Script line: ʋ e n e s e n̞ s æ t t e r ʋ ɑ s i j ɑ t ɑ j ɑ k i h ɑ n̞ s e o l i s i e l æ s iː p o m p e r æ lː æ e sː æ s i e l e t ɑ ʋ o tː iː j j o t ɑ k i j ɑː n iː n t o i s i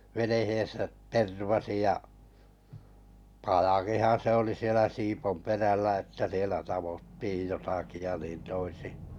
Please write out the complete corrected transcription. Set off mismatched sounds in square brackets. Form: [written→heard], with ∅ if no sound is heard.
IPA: ʋ e n e [s→h] e n̞ s æ t t e r ʋ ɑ s i j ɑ [t→p] ɑ j ɑ k i h ɑ n̞ s e o l i s i e l æ s iː p o m p e r æ lː æ e [sː→tː] æ s i e l [e→æ] t ɑ ʋ o tː iː j j o t ɑ k i j [ɑː→ɑ] n iː n t o i s i